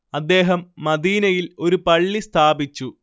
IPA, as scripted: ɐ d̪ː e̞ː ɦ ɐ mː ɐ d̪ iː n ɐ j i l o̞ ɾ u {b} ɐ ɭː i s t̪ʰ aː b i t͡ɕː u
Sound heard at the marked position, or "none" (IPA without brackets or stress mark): p